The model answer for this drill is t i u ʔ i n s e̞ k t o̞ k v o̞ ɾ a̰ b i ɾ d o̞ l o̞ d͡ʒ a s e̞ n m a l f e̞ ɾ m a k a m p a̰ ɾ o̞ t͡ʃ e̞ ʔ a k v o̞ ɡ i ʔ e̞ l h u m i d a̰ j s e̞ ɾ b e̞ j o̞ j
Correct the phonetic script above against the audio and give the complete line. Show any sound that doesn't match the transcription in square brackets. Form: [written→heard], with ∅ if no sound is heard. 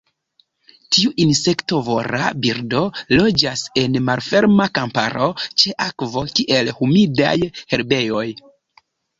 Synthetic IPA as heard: t i u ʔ i n s e̞ k t o̞ [k→∅] v o̞ ɾ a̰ b i ɾ d o̞ l o̞ d͡ʒ a s e̞ n m a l f e̞ ɾ m a k a m p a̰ ɾ o̞ t͡ʃ e̞ ʔ a k v o̞ [ɡ→k] i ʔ e̞ l h u m i d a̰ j [s→h] e̞ ɾ b e̞ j o̞ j